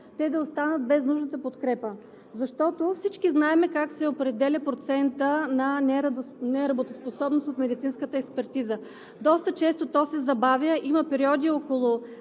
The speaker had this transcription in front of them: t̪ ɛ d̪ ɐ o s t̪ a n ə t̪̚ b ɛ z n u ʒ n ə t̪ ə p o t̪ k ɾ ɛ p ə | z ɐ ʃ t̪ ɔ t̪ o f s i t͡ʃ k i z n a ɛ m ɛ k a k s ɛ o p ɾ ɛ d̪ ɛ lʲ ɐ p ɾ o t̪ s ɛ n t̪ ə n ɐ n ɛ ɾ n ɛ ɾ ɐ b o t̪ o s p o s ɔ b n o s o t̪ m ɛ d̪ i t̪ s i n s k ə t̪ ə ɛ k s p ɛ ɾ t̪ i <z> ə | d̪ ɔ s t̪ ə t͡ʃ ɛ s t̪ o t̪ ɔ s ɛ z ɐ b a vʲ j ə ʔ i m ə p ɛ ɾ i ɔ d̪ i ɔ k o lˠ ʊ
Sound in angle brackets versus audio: correct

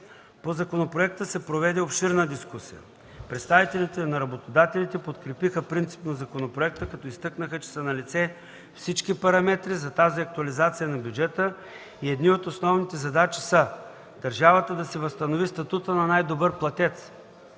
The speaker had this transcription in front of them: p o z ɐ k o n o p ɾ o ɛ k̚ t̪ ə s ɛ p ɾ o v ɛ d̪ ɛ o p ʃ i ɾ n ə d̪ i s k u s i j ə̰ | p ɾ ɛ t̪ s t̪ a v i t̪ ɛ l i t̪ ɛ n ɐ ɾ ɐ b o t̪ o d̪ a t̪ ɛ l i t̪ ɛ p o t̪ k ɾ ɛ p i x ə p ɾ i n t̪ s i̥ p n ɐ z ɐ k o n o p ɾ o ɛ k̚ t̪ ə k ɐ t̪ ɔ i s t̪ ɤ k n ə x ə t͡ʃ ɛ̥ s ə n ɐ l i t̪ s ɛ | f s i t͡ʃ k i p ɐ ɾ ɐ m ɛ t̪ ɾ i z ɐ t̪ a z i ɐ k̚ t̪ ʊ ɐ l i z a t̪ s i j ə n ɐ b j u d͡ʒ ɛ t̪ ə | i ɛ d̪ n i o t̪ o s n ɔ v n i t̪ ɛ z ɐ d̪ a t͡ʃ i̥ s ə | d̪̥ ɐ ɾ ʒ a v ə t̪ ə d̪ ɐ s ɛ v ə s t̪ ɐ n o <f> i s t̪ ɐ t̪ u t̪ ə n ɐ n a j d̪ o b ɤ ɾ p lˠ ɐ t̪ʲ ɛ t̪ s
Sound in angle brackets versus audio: incorrect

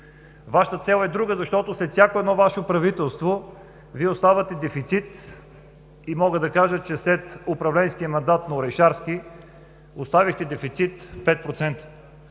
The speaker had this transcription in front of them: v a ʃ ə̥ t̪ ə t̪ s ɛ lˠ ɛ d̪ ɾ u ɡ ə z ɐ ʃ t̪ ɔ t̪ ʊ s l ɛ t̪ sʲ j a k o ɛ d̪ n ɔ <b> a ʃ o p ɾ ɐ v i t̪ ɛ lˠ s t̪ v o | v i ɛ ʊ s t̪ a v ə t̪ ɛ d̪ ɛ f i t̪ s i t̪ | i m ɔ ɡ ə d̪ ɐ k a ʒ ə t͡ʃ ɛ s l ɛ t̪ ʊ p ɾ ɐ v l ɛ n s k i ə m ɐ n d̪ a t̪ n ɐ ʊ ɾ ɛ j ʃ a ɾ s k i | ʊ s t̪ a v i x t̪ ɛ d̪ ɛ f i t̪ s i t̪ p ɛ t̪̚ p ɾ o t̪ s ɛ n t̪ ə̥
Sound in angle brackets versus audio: incorrect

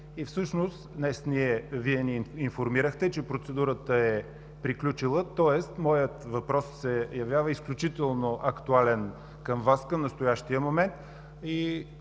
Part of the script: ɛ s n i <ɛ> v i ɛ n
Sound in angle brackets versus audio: correct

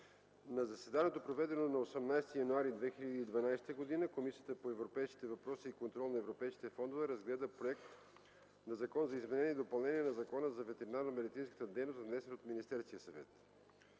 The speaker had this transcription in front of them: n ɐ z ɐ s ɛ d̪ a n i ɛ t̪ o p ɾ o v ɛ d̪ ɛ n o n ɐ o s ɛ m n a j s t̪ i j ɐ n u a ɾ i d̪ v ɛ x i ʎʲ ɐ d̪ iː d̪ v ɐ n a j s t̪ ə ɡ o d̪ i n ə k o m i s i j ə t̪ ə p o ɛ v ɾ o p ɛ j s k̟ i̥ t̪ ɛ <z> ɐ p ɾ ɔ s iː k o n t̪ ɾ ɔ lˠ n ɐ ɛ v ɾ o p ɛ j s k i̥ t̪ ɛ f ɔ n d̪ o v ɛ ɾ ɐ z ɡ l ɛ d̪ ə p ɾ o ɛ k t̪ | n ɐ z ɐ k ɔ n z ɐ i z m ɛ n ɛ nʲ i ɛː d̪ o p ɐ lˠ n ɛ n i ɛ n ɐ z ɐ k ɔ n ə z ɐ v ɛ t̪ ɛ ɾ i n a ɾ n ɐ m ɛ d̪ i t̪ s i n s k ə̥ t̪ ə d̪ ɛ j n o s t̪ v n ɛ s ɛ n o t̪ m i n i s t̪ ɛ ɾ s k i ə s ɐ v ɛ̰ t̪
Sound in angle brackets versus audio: incorrect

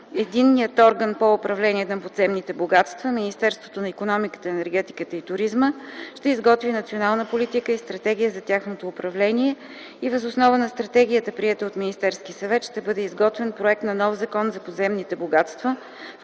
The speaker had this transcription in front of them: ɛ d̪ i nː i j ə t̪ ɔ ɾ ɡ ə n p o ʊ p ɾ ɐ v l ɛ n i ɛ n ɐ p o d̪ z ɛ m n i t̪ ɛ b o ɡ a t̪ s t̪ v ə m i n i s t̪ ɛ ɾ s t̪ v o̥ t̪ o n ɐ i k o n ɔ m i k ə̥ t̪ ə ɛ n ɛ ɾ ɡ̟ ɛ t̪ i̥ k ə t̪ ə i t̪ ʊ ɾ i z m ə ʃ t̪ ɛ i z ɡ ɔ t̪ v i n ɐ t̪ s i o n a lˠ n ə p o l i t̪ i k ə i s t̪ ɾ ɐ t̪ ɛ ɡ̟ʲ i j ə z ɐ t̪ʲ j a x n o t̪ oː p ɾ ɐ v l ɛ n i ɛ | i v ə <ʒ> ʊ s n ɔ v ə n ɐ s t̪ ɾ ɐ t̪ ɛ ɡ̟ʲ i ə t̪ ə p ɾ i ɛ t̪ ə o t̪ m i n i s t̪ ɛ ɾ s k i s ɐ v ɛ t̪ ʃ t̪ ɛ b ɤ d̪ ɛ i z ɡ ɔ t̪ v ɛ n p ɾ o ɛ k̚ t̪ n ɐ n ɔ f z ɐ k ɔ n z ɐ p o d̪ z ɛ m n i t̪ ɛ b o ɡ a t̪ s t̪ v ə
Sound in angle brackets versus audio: incorrect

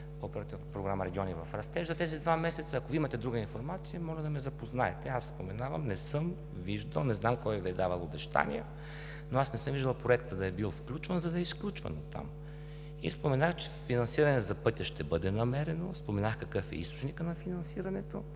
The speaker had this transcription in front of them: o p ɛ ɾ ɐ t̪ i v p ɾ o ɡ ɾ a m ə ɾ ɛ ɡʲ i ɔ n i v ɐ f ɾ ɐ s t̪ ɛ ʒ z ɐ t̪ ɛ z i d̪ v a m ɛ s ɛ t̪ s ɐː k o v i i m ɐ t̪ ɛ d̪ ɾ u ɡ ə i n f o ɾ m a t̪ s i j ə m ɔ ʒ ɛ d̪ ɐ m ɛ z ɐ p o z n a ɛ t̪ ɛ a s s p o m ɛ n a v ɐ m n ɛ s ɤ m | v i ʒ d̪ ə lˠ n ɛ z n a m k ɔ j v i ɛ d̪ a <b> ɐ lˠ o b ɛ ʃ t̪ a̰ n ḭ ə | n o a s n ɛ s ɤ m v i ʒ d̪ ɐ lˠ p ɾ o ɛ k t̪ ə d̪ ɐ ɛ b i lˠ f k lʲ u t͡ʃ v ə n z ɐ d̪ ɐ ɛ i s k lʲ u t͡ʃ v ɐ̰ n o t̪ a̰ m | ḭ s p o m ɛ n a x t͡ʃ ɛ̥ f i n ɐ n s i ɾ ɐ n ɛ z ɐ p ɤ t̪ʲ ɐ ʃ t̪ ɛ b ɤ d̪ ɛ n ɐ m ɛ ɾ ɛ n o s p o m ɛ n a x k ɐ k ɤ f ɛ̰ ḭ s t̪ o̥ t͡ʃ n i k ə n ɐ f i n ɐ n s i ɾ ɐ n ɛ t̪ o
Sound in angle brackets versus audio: incorrect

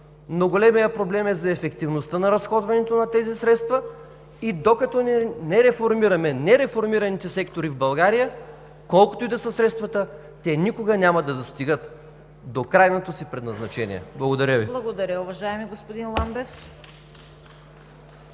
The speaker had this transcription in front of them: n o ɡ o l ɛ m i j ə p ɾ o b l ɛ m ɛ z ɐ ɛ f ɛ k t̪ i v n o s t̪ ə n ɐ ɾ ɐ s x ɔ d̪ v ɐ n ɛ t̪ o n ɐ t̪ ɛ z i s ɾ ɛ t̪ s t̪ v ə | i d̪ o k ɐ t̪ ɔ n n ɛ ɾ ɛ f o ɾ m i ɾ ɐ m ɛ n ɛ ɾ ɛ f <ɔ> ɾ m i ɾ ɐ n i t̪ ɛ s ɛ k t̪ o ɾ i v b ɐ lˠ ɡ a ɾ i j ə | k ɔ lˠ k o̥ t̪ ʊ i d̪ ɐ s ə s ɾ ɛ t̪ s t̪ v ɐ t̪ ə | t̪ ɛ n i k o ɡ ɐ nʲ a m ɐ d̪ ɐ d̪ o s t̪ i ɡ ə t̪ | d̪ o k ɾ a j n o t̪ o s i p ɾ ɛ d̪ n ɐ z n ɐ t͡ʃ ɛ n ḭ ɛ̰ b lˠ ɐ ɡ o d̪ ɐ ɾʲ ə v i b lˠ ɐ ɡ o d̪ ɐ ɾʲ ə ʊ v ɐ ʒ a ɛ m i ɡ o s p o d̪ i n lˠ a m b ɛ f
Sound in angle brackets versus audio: incorrect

